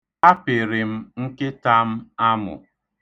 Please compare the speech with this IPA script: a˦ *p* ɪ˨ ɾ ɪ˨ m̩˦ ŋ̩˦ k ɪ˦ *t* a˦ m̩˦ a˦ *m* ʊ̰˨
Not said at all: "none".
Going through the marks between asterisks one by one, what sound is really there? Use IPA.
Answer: p, t, m

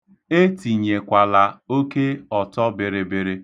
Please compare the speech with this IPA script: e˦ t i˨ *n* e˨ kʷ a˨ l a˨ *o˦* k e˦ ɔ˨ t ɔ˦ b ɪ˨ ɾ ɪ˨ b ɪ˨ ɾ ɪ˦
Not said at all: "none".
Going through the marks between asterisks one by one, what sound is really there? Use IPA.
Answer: ɲ, o˦

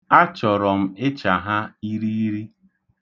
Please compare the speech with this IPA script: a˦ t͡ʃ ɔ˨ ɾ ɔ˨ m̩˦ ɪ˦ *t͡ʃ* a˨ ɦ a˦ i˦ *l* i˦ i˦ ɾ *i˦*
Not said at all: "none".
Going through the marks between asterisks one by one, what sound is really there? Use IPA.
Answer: t͡ʃ, ɾ, i˦

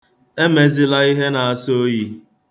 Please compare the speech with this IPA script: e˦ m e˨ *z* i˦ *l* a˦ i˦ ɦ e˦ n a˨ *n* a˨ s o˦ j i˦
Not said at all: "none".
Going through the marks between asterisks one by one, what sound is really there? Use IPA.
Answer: z, l, none

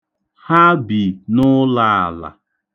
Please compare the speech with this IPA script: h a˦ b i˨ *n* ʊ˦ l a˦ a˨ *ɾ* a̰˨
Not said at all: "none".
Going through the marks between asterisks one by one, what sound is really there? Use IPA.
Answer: n, l

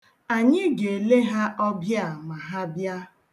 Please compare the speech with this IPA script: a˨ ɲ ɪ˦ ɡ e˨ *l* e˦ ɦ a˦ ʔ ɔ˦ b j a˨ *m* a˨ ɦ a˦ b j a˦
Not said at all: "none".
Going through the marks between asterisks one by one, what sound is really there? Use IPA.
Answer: l, m

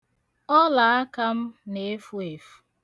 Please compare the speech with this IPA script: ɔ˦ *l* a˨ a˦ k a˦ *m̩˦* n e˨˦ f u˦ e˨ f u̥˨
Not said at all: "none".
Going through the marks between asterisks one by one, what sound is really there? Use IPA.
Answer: l, m̩˦

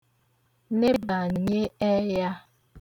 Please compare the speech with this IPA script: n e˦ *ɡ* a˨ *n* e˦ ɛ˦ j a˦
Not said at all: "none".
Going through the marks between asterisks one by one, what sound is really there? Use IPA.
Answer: b, ɲ

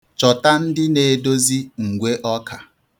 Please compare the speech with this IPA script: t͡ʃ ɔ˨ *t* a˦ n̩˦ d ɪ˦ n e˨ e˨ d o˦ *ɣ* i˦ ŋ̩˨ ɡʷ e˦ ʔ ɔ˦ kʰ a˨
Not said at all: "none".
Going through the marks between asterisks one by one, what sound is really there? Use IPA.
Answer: t, z

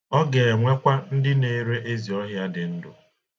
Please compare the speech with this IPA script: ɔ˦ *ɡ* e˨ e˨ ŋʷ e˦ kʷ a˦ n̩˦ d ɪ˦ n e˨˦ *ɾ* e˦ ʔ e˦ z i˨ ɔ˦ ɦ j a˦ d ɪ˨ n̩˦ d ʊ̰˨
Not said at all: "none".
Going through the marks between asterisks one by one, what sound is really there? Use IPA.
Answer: ɡ, ɾ

